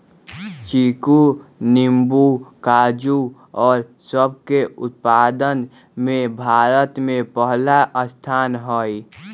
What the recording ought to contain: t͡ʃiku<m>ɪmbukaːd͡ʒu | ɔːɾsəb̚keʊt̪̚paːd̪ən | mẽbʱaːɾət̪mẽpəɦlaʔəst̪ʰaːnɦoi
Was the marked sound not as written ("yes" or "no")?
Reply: yes